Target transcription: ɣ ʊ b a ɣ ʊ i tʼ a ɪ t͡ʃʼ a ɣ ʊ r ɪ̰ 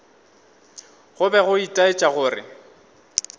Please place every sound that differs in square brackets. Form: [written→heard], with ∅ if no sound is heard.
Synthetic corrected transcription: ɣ ʊ b [a→ɛ] ɣ ʊ i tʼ a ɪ t͡ʃʼ a ɣ [ʊ→ʊː] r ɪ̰

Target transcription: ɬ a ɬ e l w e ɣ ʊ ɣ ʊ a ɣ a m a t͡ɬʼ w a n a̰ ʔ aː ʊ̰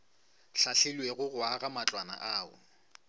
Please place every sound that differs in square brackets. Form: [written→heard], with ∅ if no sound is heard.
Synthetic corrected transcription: ɬ a ɬ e l w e ɣ ʊ ɣ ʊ a ɣ a m a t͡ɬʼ w a n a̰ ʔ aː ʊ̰

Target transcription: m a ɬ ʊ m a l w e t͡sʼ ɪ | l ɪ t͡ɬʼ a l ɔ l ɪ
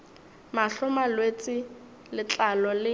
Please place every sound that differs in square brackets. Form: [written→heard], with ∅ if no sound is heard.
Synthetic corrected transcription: m a ɬ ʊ m a l w e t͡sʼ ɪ | l ɪ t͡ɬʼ a l ɔ l ɪ

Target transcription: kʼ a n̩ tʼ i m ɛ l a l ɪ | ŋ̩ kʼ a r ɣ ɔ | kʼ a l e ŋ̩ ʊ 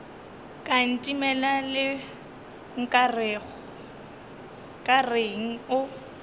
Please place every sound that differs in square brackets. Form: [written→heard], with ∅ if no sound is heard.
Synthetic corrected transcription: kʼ a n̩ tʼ i m ɛ l a l ɪ | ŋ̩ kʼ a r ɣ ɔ | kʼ a [l→r] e ŋ̩ ʊ

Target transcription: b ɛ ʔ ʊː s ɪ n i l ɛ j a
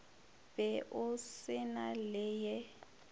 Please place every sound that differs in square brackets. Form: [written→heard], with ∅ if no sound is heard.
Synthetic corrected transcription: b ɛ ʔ [ʊː→ʊ] s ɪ n [i→a] l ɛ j [a→ɛ]

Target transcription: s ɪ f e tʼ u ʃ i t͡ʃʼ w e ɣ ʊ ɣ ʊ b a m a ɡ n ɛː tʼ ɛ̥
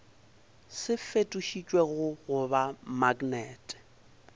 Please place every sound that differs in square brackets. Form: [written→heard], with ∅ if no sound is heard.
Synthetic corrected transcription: s ɪ f e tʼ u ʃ i t͡ʃʼ w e ɣ ʊ ɣ ʊ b a m a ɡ n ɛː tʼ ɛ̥

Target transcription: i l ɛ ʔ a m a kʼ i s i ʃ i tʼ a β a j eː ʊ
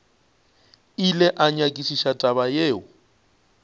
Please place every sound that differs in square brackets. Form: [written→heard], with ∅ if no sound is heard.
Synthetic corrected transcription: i l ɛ ʔ a [m→ɲ] a kʼ i s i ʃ [i→a] tʼ a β a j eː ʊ

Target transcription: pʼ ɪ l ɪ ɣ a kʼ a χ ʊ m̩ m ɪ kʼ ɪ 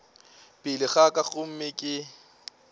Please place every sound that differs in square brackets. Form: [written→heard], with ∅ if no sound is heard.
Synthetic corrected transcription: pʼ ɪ l ɪ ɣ a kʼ a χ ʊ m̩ m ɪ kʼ ɪ

